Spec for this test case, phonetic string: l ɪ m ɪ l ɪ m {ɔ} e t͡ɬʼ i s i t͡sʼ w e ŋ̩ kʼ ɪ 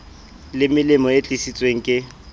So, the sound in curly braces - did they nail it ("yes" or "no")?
yes